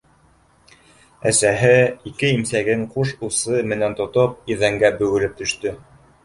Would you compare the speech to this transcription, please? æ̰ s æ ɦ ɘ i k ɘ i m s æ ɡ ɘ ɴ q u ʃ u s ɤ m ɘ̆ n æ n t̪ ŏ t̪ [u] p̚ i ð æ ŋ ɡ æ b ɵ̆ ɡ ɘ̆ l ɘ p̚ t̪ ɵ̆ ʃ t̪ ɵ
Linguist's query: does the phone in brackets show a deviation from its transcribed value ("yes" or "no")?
yes